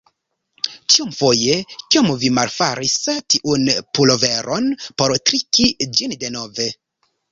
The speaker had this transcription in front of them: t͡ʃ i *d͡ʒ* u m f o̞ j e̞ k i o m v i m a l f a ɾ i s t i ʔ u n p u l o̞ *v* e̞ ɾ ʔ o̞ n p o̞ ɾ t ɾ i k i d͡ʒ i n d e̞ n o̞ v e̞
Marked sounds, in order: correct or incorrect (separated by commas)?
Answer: incorrect, correct